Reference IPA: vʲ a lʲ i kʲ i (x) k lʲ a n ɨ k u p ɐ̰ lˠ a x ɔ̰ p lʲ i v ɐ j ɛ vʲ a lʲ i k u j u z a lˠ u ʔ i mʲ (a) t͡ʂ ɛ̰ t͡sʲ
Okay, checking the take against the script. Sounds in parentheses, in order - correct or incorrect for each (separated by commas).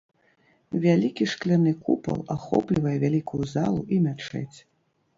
incorrect, correct